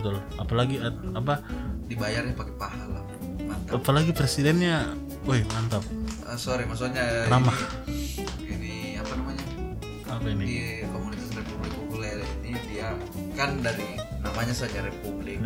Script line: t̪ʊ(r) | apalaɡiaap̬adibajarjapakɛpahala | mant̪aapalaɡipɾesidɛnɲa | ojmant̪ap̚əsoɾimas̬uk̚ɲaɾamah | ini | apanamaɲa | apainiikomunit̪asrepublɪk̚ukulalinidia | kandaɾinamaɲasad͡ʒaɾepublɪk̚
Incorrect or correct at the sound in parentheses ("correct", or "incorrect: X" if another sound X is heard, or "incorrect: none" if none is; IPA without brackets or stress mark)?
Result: incorrect: l